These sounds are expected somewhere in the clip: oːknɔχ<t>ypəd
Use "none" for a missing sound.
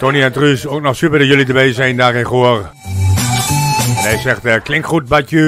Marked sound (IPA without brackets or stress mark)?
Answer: s